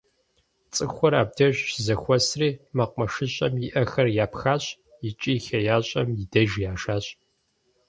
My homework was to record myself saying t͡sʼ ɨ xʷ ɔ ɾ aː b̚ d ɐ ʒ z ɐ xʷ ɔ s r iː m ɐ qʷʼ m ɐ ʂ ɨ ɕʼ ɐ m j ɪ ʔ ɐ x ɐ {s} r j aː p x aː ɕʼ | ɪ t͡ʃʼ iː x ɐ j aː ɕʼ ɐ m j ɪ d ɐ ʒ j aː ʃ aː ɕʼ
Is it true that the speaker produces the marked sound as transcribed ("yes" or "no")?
no